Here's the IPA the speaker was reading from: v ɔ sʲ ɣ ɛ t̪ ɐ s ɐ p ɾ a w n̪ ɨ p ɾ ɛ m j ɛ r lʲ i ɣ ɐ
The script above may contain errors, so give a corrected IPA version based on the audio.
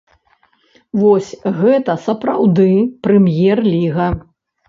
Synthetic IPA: v ɔ sʲ ɣ ɛ t̪ ɐ s ɐ p ɾ a w d̪ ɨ p ɾ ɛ m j ɛ r lʲ i ɣ ɐ